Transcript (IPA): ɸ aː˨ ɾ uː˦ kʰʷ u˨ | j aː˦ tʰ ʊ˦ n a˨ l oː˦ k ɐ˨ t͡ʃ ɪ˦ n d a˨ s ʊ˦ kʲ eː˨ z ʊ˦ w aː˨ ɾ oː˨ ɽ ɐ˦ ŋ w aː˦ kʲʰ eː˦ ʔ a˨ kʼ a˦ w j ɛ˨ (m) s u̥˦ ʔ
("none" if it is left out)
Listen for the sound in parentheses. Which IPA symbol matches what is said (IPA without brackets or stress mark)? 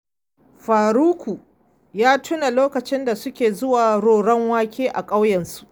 n